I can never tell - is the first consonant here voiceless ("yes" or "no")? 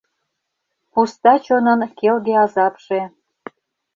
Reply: yes